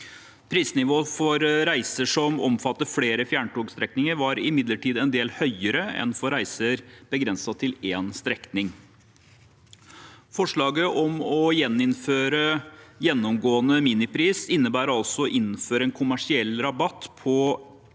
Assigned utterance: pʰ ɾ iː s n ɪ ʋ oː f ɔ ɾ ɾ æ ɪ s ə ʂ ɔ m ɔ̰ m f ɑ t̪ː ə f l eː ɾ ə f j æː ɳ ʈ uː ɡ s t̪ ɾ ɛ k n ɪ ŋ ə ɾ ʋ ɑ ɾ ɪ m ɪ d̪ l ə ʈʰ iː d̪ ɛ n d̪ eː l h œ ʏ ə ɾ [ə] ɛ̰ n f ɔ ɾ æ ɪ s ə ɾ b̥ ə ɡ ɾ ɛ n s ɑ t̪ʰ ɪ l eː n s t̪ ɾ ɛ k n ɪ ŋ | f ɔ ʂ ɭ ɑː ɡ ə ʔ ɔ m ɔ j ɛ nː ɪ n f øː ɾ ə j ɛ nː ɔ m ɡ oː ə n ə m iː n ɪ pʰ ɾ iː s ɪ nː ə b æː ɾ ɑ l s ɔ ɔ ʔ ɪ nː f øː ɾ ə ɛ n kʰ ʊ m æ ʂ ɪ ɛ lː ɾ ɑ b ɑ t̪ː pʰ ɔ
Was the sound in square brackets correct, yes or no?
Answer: yes